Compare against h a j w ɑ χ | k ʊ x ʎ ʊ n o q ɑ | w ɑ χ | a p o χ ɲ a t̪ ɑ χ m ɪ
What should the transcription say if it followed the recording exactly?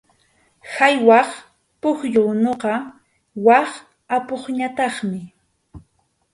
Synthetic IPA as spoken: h a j w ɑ χ | p ʊ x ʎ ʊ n o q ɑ | w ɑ χ | a p o χ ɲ a t̪ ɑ χ m ɪ